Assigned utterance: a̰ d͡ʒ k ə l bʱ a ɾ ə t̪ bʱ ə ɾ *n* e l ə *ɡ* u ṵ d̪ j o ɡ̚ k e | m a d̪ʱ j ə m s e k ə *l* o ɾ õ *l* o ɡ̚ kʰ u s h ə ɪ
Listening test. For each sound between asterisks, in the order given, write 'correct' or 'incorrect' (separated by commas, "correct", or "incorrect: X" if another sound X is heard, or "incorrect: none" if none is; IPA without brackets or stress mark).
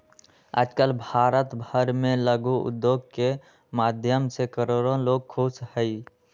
incorrect: m, correct, incorrect: ɾ, correct